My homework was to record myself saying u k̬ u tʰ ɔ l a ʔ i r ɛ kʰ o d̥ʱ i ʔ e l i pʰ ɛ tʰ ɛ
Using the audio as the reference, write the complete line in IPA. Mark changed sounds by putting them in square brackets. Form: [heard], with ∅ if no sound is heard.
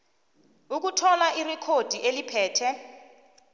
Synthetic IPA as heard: u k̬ u tʰ ɔ l a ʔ i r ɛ kʰ o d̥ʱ i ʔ e l i pʰ [ɛː] tʰ ɛ